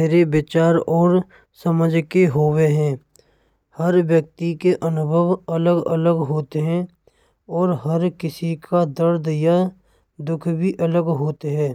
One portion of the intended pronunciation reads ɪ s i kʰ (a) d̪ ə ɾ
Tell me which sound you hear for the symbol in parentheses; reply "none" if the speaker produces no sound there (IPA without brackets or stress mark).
a